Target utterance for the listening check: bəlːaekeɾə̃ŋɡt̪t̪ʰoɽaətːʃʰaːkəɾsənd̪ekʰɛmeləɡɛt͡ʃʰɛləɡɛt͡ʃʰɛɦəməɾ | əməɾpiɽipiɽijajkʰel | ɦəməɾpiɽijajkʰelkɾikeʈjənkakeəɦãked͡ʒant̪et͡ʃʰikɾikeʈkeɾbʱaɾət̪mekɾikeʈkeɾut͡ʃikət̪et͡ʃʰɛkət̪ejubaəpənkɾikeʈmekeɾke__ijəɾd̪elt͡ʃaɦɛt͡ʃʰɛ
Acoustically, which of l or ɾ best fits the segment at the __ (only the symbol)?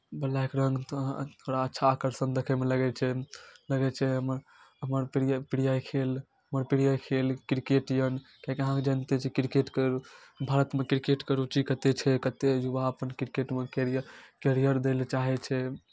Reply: ɾ